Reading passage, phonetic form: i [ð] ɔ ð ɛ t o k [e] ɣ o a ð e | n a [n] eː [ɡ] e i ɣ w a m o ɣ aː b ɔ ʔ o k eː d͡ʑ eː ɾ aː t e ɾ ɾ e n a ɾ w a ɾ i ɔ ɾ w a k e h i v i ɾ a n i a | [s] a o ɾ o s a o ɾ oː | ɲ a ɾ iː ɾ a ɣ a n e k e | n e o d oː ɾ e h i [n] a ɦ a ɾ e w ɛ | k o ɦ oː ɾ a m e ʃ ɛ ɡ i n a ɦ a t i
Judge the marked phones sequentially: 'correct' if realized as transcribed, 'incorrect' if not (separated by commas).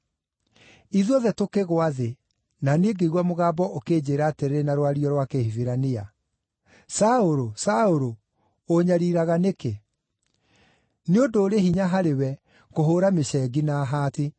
correct, correct, correct, correct, correct, incorrect